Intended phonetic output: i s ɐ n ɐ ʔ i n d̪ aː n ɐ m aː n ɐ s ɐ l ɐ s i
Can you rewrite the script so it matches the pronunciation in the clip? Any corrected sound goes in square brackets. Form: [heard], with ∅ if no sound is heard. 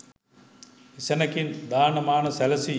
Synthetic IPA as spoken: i s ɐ n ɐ [k] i n d̪ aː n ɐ m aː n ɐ s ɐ l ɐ s i